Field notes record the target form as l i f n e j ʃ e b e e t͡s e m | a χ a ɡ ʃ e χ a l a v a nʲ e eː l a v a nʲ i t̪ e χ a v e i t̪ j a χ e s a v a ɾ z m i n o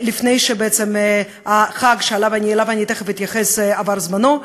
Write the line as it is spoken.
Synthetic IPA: l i f n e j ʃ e b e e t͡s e m | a χ a ɡ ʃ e a l a v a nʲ i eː l a v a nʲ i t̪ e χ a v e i t̪ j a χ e s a v a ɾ z m a n o